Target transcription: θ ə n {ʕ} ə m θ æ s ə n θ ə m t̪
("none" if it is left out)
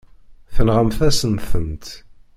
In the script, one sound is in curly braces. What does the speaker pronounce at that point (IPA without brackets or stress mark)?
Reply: ʁ